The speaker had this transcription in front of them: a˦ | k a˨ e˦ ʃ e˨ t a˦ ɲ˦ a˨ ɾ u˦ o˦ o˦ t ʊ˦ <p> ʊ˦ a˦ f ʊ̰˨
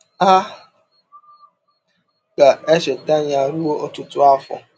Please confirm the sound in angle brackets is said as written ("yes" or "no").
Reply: no